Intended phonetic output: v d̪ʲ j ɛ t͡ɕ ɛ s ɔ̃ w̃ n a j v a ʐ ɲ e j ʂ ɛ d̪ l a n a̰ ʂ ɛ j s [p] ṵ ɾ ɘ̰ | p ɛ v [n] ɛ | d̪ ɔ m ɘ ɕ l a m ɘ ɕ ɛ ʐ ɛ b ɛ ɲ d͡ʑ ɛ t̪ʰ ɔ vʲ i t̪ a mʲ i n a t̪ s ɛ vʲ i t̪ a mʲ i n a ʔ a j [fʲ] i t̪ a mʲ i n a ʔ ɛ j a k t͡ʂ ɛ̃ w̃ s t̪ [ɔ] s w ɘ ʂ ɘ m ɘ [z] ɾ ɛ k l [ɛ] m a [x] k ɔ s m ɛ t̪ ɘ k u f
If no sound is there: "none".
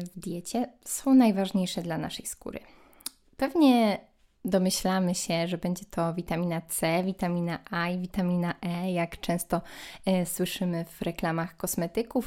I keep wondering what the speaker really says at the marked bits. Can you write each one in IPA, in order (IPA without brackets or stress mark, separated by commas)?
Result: k, ɲ, vʲ, ɔ, v, a, x